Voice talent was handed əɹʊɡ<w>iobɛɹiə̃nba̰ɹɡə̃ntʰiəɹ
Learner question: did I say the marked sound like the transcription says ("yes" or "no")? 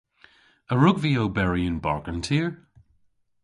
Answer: no